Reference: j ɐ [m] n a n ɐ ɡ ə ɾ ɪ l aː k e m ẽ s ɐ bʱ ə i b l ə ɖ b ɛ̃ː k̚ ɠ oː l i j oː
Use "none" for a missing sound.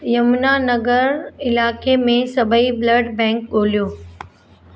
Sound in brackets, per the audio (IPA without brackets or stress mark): m